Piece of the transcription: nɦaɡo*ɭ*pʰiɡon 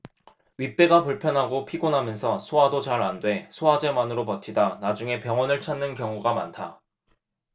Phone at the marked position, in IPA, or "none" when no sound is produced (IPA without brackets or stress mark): none